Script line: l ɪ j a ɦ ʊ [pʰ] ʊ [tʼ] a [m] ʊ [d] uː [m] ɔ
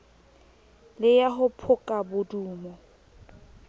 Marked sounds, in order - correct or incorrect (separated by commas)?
correct, incorrect, incorrect, correct, correct